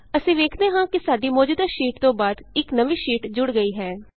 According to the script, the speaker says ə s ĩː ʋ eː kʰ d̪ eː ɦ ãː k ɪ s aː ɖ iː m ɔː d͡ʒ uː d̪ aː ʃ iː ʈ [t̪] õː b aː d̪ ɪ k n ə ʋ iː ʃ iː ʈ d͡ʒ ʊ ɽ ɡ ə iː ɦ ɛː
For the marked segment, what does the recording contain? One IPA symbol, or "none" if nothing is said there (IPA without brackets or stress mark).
t̪